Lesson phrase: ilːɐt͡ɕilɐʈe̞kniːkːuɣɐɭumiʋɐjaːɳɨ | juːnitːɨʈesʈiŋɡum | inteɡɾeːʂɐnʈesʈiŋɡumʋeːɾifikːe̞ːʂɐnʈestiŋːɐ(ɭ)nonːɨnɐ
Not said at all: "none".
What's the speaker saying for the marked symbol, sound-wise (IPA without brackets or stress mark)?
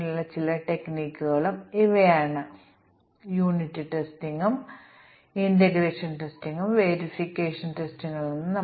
ɭ